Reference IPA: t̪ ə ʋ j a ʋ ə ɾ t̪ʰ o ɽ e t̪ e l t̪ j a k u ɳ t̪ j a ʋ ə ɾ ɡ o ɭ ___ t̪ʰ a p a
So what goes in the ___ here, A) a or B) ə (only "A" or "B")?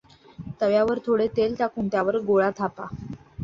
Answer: A